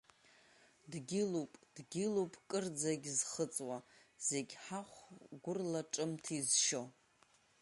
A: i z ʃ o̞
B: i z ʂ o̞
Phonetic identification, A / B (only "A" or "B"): A